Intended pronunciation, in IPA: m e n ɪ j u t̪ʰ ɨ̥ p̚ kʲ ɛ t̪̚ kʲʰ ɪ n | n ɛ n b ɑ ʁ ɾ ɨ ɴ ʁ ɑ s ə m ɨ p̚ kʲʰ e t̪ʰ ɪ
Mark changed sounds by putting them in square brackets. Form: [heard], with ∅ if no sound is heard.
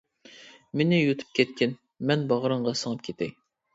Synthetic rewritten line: m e n ɪ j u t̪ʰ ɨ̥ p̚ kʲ ɛ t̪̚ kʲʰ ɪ n | [m] ɛ n b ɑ ʁ ɾ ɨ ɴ ʁ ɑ s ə [ŋ] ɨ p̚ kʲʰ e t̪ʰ ɪ